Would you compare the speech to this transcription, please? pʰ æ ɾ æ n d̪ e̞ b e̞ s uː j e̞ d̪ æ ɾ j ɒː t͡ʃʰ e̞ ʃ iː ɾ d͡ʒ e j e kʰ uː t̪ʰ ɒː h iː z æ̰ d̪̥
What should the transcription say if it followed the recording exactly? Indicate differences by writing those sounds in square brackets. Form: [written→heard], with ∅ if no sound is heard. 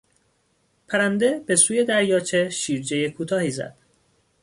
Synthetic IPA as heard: pʰ æ ɾ æ n d̪ e̞ b e̞ s uː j e̞ d̪ æ ɾ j ɒː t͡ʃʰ e̞ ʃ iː ɾ d͡ʒ e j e kʰ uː t̪ʰ ɒː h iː z æ̰ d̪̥